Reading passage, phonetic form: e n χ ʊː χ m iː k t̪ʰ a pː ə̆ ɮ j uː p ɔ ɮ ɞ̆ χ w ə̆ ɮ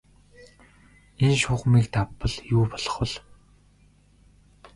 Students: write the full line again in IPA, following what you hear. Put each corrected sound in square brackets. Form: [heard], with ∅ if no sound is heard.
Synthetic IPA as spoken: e n [ʃ] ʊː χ m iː k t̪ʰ a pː ə̆ ɮ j uː p ɔ ɮ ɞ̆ χ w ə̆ ɮ